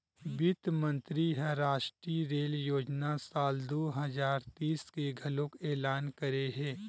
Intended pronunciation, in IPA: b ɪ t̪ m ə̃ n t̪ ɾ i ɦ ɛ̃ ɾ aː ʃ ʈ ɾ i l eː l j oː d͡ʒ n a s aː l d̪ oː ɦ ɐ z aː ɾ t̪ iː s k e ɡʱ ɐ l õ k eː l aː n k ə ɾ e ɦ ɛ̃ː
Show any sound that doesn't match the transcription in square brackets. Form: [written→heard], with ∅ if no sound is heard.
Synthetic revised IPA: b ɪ t̪ m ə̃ n t̪ ɾ i ɦ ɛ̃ ɾ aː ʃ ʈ ɾ i [l→ɾ] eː l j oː d͡ʒ n a s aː l d̪ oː ɦ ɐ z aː ɾ t̪ iː s k e ɡʱ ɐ l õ k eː l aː n k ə ɾ e ɦ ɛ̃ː